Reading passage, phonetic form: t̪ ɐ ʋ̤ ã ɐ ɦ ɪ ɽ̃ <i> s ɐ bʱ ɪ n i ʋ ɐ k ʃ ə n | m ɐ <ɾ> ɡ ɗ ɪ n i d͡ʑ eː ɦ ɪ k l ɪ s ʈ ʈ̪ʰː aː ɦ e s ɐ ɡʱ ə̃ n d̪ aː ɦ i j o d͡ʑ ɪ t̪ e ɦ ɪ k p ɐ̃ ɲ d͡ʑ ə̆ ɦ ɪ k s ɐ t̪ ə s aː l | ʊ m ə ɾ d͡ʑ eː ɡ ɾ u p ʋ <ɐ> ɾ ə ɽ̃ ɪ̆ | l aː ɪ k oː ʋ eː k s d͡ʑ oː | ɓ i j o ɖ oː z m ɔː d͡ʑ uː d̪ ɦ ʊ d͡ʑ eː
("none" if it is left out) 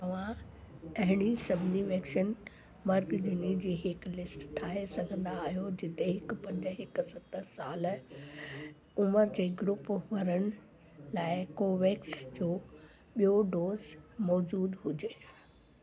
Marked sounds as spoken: i, ɾ, ɐ

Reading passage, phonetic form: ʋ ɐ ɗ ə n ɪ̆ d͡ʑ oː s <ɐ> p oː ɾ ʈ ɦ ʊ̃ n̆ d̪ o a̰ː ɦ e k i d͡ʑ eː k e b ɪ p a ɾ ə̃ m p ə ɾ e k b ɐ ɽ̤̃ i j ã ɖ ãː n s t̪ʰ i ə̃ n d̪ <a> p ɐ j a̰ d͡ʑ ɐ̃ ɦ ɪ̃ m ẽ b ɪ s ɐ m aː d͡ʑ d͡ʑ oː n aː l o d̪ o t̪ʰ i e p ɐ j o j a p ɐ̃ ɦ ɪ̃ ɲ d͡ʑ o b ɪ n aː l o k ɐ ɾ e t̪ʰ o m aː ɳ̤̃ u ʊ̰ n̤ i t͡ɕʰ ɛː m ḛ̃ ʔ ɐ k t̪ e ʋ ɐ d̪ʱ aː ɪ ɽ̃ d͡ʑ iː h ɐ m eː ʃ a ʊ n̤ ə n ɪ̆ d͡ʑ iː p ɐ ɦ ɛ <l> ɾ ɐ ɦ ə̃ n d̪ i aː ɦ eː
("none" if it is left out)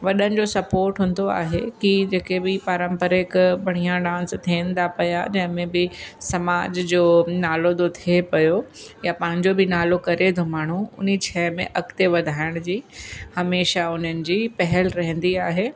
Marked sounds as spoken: ɐ, a, l

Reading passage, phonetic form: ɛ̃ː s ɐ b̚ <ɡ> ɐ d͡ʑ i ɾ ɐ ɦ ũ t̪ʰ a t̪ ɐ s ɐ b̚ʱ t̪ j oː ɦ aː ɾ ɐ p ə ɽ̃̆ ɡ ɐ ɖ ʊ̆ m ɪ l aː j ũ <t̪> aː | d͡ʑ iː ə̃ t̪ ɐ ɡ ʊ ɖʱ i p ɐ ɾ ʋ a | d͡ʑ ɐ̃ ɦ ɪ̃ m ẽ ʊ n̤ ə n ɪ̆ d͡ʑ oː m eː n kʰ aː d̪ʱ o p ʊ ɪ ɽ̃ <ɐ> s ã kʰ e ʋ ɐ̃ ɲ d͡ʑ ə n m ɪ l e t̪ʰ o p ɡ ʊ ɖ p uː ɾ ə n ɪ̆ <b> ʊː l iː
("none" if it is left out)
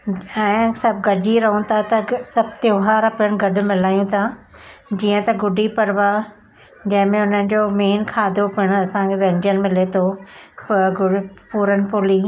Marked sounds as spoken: ɡ, t̪ʰ, ɐ, p

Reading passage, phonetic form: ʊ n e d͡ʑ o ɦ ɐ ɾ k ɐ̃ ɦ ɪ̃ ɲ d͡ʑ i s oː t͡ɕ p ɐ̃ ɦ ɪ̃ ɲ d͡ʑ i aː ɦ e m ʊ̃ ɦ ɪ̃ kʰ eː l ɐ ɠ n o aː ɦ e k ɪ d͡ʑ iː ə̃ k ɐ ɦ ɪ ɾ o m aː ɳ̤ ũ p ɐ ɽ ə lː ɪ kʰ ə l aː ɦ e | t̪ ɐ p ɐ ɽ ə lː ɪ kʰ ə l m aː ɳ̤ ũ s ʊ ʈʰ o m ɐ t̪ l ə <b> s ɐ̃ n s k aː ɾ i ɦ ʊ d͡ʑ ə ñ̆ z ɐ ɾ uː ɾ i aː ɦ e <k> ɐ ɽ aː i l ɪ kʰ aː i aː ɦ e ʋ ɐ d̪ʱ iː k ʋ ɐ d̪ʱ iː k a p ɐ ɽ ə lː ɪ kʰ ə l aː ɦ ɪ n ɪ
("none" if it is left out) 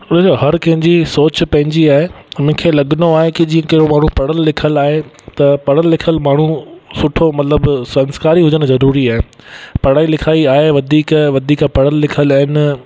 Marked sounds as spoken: b, p

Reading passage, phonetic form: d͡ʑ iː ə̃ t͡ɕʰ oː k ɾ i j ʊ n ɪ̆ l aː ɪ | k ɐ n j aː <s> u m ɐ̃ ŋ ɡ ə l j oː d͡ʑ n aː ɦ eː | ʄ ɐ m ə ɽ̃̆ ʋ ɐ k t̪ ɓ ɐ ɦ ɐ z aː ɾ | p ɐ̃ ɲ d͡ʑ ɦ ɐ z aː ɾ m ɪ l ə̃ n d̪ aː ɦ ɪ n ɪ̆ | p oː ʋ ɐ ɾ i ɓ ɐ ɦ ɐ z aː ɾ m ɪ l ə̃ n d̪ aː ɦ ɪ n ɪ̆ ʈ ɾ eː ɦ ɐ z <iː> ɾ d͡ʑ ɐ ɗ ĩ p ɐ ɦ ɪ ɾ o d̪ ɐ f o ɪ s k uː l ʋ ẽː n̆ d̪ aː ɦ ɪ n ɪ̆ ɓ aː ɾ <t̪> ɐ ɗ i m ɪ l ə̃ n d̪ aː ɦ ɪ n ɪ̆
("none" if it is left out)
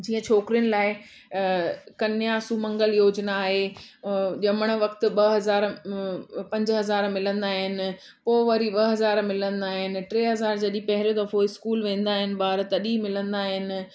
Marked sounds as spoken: s, aː, t̪

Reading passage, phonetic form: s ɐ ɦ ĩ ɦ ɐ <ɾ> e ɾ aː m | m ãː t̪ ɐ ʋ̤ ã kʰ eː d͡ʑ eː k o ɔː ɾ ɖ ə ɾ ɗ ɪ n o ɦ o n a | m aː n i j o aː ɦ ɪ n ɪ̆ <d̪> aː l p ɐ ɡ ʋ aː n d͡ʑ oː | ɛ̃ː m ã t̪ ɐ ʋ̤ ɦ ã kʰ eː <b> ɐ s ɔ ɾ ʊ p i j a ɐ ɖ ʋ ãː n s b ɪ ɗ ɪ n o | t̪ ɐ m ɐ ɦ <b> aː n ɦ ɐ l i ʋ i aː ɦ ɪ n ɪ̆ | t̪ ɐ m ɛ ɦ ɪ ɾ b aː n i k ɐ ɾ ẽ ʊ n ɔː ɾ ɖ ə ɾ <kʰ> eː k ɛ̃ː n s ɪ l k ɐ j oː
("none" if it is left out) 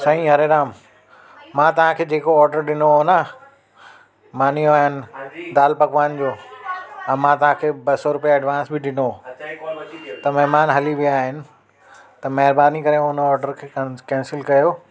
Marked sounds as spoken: ɾ, d̪, b, m, kʰ

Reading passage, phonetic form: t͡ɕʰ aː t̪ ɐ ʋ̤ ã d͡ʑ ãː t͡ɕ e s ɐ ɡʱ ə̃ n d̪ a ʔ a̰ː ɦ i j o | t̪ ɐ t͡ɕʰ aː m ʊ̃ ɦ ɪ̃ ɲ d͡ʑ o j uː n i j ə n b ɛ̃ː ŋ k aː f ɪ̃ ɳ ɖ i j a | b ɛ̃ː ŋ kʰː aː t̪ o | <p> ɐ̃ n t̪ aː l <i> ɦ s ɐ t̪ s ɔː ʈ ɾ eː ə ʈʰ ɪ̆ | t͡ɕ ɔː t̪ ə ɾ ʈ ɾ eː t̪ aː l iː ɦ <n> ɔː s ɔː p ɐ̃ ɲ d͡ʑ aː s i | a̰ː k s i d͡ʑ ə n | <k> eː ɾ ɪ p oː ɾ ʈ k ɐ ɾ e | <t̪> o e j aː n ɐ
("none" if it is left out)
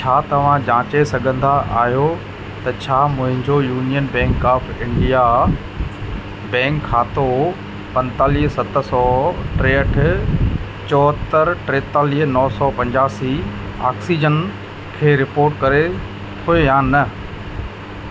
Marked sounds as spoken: p, iː, n, kʰ, t̪ʰ

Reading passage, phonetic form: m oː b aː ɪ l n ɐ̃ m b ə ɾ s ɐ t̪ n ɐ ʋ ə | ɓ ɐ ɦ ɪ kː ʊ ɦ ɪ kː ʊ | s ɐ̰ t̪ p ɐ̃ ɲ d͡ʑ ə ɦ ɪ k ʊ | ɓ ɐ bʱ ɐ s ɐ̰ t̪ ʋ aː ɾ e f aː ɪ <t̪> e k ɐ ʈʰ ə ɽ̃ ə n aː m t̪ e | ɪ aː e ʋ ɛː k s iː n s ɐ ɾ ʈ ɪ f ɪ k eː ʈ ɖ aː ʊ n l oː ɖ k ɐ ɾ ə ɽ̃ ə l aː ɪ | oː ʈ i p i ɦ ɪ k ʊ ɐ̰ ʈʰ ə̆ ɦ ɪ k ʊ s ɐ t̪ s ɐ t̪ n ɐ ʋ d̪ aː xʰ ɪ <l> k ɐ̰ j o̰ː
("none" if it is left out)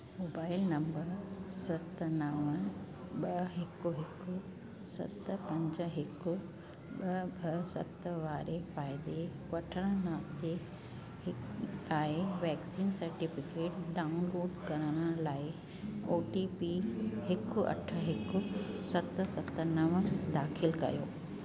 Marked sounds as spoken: d̪, l

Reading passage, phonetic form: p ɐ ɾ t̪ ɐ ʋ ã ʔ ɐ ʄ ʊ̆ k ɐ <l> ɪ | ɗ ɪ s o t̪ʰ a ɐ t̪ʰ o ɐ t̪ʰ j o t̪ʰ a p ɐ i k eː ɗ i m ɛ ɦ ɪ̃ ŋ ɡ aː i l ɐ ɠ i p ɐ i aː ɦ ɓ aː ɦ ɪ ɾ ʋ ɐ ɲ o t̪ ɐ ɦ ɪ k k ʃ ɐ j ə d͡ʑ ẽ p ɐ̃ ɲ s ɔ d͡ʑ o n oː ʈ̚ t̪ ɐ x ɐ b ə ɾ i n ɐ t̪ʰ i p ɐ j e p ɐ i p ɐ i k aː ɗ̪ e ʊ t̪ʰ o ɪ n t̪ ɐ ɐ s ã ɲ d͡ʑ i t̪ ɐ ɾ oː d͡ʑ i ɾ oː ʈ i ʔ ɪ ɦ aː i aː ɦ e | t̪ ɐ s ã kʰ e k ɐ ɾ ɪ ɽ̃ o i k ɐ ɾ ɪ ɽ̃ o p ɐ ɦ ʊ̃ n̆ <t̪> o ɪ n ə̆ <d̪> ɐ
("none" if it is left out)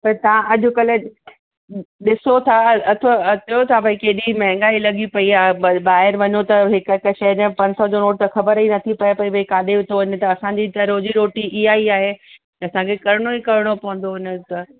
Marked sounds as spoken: l, d̪, t̪

